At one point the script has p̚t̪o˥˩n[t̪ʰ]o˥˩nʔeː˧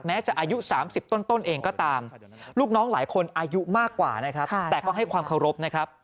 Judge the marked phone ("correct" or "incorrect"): incorrect